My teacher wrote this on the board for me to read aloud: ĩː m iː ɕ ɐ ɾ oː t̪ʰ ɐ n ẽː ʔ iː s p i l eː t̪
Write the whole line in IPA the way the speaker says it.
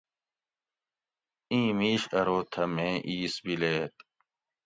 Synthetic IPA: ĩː m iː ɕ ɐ ɾ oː t̪ʰ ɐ m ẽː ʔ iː s b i l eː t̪

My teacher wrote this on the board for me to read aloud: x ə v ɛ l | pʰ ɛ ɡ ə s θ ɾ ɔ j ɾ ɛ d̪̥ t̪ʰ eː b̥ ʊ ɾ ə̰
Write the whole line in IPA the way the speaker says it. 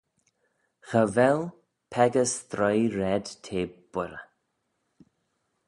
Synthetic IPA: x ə v ɛ l | pʰ ɛ ɡ ə s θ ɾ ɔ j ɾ ɛ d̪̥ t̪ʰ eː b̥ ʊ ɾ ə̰

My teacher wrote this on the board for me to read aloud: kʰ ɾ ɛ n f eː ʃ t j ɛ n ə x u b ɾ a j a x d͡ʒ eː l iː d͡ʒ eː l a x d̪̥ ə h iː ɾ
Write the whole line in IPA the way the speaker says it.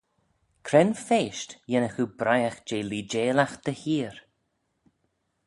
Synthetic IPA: kʰ ɾ ɛ n f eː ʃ t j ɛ n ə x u b ɾ a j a x d͡ʒ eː l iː d͡ʒ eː l a x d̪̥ ə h iː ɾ

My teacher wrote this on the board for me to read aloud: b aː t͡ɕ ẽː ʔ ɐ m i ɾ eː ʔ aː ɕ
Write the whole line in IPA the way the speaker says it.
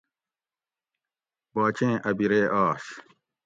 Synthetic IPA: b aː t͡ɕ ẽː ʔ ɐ b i ɾ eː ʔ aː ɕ

